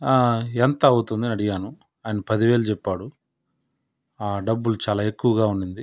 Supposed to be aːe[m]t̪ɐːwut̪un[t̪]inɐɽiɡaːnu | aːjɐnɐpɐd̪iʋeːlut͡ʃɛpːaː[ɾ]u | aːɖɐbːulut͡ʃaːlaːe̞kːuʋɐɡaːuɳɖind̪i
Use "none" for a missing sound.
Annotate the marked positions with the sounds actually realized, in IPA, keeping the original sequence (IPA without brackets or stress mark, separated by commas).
n, d̪, ɽ